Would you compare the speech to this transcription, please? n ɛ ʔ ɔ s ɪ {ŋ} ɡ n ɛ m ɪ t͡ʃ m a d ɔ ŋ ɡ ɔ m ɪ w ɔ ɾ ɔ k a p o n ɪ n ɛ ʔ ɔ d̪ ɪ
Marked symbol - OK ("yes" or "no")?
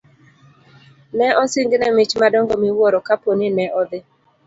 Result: yes